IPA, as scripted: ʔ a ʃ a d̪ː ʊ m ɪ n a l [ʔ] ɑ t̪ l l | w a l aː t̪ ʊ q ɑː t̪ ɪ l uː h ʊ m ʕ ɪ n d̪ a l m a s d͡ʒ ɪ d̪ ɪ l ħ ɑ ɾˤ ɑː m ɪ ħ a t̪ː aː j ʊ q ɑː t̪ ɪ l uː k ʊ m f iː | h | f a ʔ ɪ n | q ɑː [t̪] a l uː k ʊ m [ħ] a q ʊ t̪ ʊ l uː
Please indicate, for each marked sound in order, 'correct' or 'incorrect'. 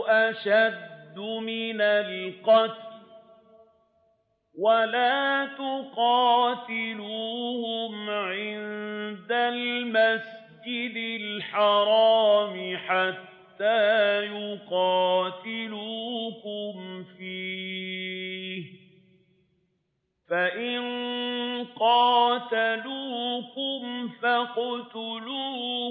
incorrect: q, correct, incorrect: f

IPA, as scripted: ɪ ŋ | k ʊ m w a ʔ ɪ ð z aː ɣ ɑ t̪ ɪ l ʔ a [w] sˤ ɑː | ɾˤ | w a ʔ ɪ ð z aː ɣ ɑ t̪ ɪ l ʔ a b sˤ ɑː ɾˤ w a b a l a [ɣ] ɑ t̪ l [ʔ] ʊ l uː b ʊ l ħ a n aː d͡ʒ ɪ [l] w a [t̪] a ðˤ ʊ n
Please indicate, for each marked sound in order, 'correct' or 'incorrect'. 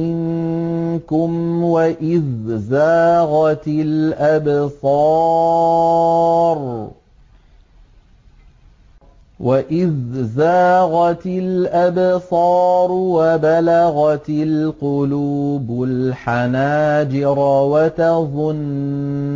incorrect: b, correct, incorrect: q, incorrect: ɾ, correct

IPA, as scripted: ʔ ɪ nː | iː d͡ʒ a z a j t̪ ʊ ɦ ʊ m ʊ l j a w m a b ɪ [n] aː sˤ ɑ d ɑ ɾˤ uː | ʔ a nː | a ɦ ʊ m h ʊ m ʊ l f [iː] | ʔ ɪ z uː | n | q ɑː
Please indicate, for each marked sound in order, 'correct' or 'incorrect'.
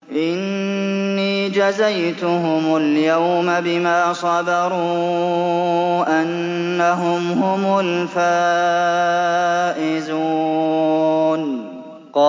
incorrect: m, incorrect: aː

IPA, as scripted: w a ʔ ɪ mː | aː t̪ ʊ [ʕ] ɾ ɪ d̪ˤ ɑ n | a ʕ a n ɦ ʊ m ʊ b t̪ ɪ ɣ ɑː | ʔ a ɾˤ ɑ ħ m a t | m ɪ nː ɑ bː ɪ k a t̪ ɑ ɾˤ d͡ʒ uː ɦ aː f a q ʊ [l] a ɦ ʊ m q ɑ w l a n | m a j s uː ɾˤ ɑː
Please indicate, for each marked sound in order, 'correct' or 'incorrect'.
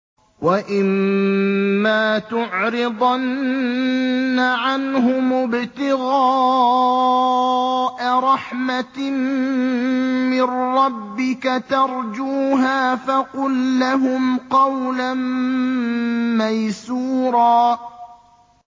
correct, incorrect: lː

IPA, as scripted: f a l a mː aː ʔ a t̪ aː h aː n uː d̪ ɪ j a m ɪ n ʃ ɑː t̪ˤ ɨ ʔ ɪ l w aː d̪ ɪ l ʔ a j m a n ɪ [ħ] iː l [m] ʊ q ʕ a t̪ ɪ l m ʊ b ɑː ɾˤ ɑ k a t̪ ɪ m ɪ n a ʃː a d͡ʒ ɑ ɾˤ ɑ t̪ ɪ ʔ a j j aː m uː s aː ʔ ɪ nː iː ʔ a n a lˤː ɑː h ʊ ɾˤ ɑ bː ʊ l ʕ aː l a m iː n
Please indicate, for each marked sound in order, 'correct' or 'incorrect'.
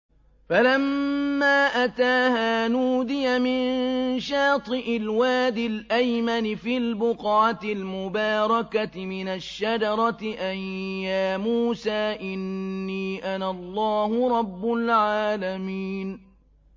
incorrect: f, incorrect: b

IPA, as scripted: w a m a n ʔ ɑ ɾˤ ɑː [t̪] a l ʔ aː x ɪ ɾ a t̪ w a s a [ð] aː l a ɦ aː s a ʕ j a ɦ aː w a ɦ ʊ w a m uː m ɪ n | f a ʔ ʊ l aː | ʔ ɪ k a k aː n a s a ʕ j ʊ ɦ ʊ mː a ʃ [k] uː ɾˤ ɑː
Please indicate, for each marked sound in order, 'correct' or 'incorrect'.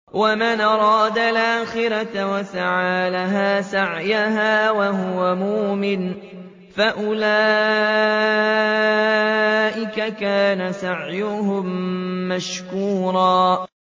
incorrect: d̪, incorrect: ʕ, correct

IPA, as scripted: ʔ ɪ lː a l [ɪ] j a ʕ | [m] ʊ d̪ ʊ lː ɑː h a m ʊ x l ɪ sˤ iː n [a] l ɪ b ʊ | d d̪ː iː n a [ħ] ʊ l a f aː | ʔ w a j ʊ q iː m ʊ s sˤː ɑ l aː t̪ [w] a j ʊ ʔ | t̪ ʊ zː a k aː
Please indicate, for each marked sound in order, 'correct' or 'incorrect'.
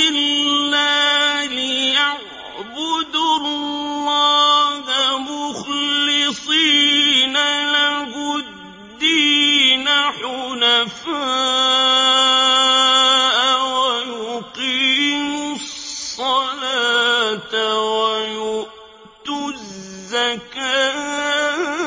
correct, incorrect: b, correct, correct, correct

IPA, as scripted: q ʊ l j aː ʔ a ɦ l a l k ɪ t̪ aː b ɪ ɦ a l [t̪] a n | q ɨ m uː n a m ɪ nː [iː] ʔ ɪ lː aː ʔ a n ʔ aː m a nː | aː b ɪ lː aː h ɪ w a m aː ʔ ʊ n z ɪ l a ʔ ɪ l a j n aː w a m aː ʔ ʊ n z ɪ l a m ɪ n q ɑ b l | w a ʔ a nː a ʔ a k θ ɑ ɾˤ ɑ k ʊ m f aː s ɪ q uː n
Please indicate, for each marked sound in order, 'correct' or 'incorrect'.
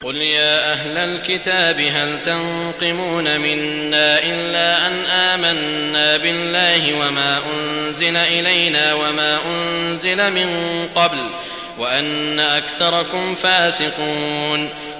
correct, incorrect: aː

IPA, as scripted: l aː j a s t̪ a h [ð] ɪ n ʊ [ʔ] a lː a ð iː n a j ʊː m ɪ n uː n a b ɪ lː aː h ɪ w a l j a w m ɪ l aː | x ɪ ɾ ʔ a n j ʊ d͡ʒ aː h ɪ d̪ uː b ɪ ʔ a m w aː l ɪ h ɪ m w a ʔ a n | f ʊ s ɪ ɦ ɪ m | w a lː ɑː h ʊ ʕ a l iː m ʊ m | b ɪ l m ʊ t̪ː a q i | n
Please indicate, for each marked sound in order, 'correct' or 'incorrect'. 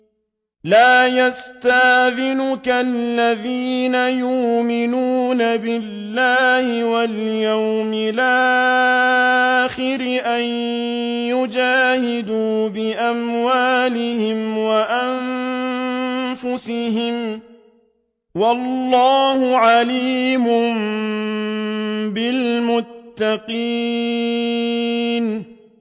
correct, incorrect: k

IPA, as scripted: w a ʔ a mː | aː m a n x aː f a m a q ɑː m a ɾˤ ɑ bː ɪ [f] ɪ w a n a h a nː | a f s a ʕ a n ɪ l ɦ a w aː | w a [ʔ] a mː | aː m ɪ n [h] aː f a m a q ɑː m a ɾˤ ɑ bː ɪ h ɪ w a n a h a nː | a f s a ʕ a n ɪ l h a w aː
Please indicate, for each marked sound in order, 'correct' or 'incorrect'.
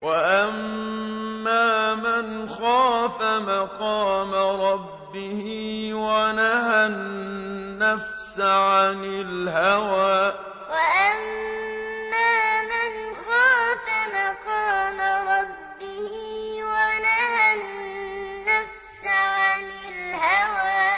incorrect: h, correct, incorrect: x

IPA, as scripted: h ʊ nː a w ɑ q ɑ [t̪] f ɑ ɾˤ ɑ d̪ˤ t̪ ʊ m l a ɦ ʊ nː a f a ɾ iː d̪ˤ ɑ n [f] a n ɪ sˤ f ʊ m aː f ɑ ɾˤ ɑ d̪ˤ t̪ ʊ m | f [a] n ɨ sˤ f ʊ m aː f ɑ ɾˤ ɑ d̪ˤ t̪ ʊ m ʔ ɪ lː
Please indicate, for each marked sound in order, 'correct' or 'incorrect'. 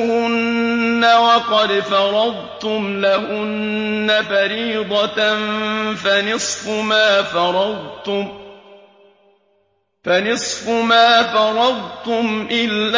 incorrect: d̪, correct, correct

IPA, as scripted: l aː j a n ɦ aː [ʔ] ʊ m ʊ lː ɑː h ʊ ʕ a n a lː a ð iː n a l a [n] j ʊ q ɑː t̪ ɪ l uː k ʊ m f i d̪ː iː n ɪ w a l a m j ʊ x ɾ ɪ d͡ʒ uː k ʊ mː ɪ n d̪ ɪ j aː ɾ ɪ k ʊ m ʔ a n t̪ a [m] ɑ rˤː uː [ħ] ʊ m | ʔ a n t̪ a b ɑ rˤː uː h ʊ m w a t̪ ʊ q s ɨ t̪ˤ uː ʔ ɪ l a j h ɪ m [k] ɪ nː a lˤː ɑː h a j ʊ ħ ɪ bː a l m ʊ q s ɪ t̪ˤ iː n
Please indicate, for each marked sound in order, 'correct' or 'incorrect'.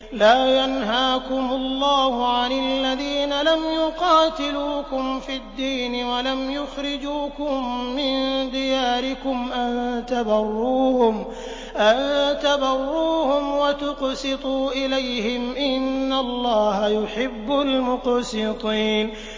incorrect: k, incorrect: m, incorrect: b, incorrect: h, incorrect: ʔ

